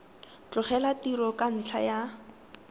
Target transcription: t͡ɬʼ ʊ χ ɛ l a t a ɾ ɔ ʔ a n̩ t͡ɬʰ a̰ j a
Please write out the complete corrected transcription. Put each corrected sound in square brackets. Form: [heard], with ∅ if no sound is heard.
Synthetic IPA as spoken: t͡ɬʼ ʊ χ ɛ l a t [i] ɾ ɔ [k] a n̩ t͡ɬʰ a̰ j a